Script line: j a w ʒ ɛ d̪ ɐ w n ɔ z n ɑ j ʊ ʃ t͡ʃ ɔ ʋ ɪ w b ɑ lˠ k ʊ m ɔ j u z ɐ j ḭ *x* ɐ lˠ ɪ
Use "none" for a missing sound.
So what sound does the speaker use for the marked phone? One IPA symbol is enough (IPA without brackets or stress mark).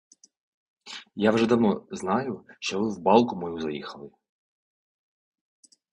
x